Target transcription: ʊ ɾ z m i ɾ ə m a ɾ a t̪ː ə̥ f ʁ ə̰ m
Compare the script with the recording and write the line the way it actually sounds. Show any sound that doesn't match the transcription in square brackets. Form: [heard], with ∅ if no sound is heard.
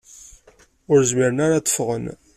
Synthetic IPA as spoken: ʊ ɾ z m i ɾ ə [n] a ɾ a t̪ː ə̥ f ʁ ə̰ [n]